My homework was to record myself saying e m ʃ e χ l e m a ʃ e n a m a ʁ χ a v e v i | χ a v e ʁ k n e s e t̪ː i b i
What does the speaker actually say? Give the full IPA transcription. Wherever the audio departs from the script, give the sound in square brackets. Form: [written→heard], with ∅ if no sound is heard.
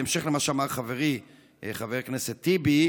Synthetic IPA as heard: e m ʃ e χ l e m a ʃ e [n→∅] a m a ʁ χ a v e [v→ʁ] i | χ a v e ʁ k n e s e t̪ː i b i